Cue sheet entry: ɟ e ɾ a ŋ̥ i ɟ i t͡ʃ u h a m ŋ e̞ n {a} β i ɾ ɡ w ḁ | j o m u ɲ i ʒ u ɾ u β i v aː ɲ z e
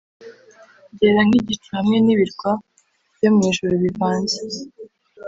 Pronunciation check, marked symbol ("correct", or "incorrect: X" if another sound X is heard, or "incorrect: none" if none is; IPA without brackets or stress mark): incorrect: i